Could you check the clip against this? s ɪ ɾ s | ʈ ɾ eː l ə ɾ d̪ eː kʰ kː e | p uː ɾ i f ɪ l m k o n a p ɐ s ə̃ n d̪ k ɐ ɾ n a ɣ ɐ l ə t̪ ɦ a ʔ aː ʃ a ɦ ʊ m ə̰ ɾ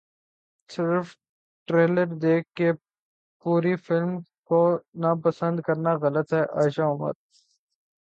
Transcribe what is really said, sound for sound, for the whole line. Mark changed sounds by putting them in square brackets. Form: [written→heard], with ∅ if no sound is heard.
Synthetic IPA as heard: s ɪ ɾ [s→f] | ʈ ɾ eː l ə ɾ d̪ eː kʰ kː e | p uː ɾ i f ɪ l m k o n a p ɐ s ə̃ n d̪ k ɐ ɾ n a ɣ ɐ l ə t̪ ɦ [a→ɛ] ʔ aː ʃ a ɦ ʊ m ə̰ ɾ